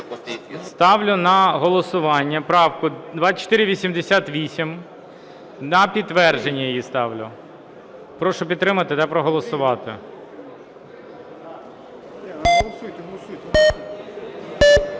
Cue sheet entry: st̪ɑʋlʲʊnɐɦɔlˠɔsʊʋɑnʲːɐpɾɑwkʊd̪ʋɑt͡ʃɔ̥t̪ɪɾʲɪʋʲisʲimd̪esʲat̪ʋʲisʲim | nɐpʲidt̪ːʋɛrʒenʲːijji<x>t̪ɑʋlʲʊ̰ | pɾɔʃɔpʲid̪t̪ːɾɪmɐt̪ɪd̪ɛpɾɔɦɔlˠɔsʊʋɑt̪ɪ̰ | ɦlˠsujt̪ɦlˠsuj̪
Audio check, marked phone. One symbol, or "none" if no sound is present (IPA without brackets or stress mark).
s